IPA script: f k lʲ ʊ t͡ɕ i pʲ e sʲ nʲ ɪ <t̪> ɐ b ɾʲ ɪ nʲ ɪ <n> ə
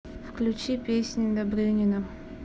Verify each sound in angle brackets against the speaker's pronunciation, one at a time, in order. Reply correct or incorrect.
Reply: incorrect: d̪, correct

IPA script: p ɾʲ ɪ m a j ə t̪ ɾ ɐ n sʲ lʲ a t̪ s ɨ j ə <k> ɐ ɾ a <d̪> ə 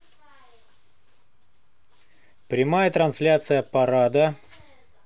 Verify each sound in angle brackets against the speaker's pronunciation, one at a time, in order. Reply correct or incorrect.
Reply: incorrect: p, correct

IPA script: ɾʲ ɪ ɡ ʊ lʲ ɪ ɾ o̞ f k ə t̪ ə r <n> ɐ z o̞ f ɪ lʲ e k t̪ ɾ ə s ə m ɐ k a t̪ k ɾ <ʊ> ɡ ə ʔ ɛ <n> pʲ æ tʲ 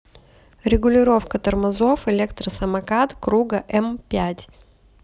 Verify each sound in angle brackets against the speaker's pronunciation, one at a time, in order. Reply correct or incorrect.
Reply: incorrect: m, incorrect: u, incorrect: m

